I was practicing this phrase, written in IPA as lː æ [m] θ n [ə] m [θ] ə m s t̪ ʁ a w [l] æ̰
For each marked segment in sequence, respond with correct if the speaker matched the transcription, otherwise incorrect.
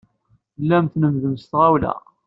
correct, correct, incorrect: ð, correct

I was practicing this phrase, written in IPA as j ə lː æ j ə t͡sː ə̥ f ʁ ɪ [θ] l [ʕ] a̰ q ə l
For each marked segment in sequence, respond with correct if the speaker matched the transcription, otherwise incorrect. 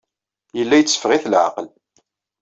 correct, correct

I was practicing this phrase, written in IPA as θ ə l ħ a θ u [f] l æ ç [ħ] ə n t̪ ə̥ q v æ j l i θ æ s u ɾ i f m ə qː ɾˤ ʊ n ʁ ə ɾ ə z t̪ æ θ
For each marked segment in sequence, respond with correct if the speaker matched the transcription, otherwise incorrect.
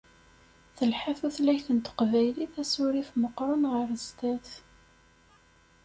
incorrect: θ, incorrect: θ

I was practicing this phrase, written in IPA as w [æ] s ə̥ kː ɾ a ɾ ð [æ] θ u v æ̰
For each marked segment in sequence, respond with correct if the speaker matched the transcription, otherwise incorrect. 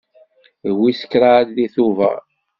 incorrect: i, incorrect: i

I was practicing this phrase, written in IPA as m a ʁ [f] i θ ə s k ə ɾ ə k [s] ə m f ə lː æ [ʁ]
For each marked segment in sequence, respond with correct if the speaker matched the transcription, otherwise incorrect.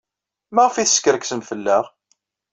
correct, correct, correct

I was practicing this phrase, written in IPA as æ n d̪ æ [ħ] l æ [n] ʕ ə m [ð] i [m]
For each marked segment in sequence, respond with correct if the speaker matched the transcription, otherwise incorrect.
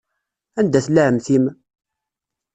incorrect: θ, incorrect: none, incorrect: θ, correct

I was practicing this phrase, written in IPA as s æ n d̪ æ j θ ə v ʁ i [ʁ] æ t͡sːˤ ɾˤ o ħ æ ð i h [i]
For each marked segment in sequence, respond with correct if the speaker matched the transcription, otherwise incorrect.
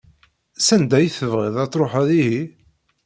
incorrect: ð, correct

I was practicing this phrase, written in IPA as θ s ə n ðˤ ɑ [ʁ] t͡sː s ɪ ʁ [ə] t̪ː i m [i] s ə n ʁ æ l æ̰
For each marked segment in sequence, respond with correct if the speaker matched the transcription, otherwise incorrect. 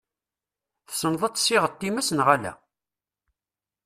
incorrect: none, correct, incorrect: æ

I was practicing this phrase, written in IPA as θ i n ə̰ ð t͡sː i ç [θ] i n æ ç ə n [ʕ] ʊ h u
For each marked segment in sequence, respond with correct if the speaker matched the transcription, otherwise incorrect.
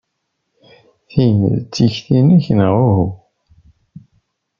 correct, incorrect: ʁ

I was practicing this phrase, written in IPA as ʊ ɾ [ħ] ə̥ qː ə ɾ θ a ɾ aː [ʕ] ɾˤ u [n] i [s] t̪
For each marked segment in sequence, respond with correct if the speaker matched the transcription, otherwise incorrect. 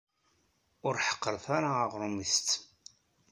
correct, incorrect: ʁ, incorrect: m, correct

